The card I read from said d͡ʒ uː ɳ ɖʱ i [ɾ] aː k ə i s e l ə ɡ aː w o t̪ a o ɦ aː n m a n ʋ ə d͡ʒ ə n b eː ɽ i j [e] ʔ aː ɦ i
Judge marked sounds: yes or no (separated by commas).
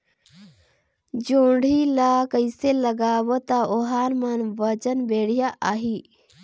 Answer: no, no